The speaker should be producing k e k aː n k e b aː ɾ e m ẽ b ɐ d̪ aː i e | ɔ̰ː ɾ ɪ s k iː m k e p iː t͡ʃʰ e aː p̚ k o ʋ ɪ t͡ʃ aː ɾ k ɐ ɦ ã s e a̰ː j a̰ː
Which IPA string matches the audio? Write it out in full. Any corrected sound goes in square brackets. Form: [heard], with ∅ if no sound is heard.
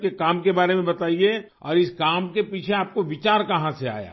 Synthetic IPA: k e k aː [m] k e b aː ɾ e m ẽ b ɐ [t̪] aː i e | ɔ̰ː ɾ ɪ s k [aː] m k e p iː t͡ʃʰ e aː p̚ k o ʋ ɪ t͡ʃ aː ɾ k ɐ ɦ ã s e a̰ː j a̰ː